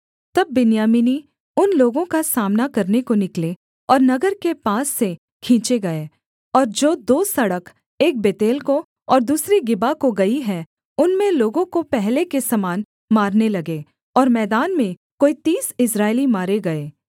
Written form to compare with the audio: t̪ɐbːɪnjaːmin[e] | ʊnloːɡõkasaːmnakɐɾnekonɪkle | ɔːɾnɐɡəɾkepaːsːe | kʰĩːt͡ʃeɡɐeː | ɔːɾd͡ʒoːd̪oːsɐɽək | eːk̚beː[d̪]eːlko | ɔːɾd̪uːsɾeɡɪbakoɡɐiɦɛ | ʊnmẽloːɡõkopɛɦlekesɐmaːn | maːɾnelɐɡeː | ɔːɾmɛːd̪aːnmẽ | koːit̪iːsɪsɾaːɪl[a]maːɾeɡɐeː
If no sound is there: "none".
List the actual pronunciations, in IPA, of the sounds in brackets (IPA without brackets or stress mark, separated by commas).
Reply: i, t̪, i